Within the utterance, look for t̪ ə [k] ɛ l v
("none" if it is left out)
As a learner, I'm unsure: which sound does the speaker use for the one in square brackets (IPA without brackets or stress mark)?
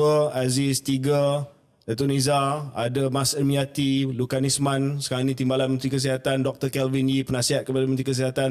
k